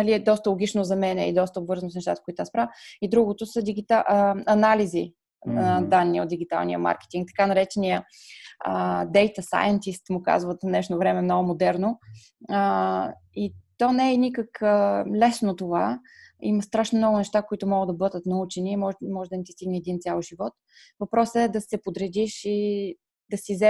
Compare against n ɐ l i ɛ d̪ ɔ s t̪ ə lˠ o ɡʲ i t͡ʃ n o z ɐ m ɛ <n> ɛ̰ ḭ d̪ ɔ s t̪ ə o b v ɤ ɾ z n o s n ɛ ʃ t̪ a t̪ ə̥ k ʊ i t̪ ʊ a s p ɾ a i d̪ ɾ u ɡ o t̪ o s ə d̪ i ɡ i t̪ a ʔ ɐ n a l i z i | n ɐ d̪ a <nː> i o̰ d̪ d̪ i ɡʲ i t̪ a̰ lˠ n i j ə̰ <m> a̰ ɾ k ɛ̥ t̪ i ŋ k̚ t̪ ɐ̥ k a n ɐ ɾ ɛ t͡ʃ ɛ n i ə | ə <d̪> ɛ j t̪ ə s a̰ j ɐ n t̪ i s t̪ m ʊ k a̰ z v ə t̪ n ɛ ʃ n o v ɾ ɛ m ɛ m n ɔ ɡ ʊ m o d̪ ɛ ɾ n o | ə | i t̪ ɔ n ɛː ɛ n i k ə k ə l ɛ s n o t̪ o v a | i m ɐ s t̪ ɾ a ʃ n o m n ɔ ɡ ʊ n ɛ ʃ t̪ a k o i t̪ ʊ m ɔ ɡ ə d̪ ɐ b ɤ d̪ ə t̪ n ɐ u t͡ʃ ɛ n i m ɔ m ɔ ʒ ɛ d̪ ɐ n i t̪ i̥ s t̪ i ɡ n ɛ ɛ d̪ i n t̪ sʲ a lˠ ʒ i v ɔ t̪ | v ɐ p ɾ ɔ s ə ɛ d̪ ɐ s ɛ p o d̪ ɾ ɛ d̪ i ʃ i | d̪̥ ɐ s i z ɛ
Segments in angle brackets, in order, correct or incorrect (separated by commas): correct, correct, correct, correct